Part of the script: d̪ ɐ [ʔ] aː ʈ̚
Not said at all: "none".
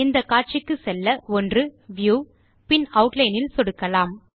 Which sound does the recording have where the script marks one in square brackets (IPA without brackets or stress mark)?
k